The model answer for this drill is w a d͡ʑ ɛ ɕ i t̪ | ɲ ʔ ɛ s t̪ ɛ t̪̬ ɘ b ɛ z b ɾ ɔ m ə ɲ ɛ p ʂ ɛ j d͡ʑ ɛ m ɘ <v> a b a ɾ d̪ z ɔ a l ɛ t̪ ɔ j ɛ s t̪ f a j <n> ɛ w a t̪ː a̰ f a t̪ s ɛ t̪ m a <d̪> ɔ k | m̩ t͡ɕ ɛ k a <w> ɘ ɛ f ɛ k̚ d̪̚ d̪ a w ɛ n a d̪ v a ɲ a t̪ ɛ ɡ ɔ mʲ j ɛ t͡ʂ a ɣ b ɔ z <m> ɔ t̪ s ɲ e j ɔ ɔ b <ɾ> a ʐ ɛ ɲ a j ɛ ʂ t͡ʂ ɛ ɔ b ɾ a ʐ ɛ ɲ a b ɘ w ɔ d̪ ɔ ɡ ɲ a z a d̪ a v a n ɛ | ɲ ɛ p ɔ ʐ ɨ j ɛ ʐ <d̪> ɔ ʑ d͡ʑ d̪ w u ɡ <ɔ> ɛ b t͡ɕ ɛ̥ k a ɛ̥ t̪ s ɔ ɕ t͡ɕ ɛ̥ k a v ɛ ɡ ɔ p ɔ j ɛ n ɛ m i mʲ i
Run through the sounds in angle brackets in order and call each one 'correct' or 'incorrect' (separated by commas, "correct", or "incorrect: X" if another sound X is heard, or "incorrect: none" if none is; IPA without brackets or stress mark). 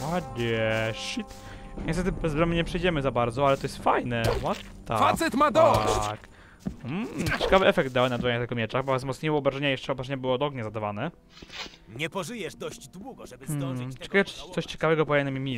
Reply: incorrect: z, correct, correct, incorrect: v, correct, correct, correct, correct